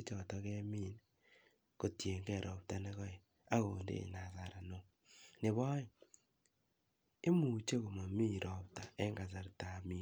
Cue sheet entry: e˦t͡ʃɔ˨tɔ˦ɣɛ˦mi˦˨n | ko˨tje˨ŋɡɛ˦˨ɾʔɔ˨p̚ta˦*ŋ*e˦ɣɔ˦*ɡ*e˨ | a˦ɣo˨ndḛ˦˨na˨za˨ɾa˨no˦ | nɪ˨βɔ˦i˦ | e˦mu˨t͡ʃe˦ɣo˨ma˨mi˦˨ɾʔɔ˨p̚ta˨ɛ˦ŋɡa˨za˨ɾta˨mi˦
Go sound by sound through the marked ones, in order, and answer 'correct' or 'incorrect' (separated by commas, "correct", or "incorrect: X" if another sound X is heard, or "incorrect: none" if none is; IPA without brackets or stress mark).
incorrect: n, incorrect: none